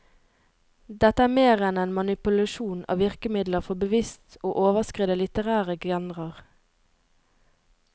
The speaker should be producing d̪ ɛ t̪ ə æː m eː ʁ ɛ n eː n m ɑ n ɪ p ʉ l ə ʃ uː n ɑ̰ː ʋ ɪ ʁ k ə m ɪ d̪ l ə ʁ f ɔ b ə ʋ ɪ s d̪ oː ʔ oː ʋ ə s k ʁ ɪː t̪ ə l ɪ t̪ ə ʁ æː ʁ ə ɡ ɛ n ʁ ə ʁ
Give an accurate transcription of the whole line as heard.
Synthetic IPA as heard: d̪ ɛ t̪ ə æː m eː ʁ ɛ n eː n m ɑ n ɪ p ʉ l ɑ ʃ uː n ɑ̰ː ʋ ɪ ʁ k ə m ɪ d̪ l ə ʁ f ɔ b ə ʋ ɪ s t̪ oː ʔ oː ʋ ə s k ʁ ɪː d̪ ə l ɪ t̪ ə ʁ æː ʁ ə ɡ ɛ n ʁ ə ʁ